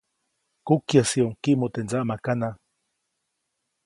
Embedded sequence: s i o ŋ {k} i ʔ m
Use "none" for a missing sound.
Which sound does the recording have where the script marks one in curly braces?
k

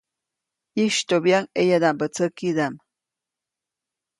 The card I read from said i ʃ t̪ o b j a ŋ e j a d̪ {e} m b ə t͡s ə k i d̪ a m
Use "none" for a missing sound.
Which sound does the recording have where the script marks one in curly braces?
a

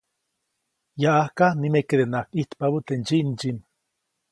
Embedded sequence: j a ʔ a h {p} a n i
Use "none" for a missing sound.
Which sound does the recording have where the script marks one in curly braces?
k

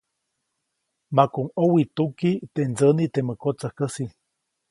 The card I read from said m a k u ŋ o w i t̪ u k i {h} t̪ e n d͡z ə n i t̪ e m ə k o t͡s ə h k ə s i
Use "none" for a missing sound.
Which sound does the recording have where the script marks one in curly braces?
none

